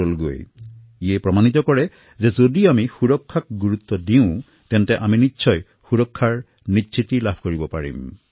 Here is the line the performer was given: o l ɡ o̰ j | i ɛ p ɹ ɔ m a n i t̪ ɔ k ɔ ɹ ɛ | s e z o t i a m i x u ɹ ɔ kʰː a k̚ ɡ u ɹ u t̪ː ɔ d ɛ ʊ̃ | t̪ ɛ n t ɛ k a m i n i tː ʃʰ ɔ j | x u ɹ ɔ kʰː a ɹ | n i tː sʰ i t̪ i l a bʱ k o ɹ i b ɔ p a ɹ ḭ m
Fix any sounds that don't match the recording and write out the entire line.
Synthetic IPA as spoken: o l ɡ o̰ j | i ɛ p ɹ ɔ m a n i t̪ ɔ k ɔ ɹ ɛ | z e z o d i a m i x u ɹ ɔ kʰː a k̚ ɡ u ɹ u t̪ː ɔ d i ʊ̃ | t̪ ɛ n t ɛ ʔ a m i n i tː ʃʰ ɔ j | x u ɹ ɔ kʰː a ɹ | n i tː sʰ i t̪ i l a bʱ k o ɹ i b ɔ p a ɹ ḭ m